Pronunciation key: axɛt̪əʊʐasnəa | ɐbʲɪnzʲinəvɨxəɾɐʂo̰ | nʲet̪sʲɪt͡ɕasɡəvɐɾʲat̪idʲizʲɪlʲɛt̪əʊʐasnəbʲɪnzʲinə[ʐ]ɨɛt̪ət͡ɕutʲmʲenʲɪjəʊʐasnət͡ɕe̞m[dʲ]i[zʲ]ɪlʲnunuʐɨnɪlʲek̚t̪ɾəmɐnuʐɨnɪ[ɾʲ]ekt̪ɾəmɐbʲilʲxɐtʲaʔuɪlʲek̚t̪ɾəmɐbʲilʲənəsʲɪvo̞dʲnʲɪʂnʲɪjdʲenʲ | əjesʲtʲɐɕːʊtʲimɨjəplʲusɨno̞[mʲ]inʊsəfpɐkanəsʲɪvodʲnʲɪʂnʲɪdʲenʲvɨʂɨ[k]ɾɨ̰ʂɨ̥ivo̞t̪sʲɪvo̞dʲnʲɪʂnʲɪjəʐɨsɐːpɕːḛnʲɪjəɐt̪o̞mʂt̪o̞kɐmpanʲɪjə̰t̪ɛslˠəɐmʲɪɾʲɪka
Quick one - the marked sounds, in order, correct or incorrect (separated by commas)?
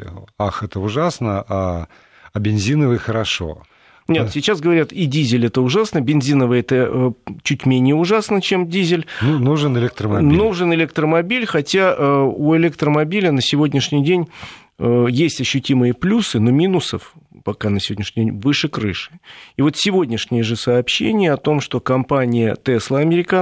incorrect, correct, correct, incorrect, correct, correct